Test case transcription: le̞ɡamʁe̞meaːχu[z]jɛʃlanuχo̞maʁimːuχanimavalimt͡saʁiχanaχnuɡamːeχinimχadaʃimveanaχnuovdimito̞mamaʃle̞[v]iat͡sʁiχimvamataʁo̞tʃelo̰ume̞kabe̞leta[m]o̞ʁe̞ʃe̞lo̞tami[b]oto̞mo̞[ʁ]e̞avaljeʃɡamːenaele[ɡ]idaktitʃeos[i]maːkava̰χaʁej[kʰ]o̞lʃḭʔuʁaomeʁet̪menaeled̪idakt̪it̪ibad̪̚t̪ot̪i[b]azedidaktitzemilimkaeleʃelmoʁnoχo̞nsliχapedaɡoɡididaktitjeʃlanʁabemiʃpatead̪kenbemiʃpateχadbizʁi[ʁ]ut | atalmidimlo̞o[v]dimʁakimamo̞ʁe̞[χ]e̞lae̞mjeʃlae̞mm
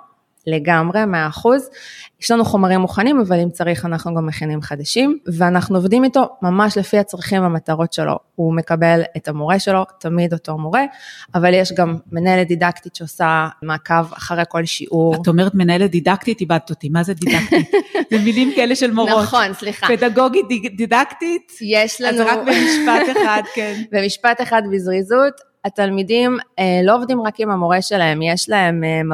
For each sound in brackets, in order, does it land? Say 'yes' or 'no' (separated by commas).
yes, no, yes, no, yes, no, no, no, no, no, yes, no